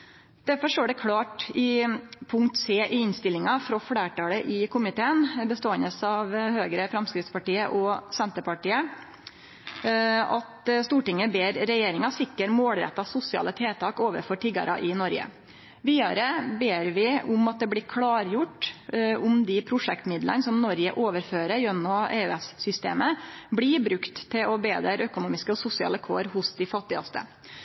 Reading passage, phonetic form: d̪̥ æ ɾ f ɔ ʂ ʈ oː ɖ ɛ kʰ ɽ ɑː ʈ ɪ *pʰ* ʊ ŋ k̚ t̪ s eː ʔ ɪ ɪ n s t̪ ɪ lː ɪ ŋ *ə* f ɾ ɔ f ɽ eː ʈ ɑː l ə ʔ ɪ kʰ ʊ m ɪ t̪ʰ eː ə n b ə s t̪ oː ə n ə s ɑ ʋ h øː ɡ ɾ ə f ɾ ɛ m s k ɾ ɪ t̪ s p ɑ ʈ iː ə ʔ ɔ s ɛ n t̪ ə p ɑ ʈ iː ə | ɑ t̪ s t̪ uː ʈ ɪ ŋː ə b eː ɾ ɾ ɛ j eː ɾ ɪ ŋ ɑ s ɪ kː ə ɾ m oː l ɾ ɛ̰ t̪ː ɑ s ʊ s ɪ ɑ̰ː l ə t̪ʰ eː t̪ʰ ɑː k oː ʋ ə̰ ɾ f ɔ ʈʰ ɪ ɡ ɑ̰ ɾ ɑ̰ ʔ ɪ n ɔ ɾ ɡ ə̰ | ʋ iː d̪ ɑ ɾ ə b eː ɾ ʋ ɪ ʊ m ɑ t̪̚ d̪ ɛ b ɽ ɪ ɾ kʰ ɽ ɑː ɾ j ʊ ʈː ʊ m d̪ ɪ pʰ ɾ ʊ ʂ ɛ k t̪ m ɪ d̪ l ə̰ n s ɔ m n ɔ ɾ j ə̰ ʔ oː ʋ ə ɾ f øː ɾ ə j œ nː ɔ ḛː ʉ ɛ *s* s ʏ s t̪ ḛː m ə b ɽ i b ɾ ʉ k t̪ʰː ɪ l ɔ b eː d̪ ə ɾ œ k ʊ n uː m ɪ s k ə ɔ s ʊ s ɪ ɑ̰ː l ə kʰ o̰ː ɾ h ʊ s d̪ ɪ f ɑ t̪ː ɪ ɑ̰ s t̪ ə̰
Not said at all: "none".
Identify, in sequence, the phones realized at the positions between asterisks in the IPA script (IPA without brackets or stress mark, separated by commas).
pʰ, ɑ, s